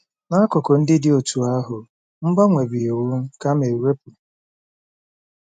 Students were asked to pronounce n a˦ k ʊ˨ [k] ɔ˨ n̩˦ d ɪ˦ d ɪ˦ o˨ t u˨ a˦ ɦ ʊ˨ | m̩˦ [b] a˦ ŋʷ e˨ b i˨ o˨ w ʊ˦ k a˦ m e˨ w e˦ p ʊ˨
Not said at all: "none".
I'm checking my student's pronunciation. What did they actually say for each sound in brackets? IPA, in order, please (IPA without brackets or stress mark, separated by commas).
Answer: k, b